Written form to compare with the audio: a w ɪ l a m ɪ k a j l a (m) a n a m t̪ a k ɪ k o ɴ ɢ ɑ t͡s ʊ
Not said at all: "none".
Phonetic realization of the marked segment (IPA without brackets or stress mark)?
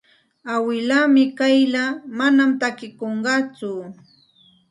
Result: m